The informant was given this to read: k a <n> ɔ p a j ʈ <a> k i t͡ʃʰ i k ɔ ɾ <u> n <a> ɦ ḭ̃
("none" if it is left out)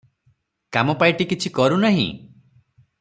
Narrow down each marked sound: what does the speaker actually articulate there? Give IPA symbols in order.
m, i, u, a

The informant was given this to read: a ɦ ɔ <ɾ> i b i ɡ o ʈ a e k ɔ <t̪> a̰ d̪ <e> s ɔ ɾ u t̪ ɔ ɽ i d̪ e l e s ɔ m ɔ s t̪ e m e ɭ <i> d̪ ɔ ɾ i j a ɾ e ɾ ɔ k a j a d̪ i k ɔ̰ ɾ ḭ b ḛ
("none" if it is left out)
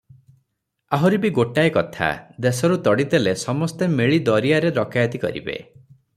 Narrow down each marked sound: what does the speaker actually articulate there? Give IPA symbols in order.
ɾ, t̪ʰ, e, i

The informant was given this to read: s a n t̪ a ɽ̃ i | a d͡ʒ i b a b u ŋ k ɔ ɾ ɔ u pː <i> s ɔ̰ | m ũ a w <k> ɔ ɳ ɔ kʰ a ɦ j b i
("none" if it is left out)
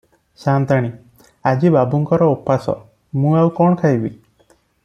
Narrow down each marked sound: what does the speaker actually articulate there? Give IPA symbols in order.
a, k

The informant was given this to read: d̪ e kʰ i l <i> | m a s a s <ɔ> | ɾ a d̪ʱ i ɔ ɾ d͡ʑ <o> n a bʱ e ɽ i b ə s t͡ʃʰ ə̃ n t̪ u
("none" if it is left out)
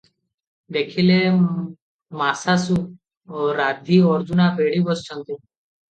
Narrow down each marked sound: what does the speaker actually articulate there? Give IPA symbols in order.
e, u, u

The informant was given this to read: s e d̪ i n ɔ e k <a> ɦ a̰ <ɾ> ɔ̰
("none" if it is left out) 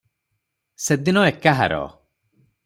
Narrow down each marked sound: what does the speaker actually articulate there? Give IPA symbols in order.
a, ɾ

